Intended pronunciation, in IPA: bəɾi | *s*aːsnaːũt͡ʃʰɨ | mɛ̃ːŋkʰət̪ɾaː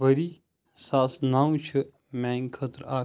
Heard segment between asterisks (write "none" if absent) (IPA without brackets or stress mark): s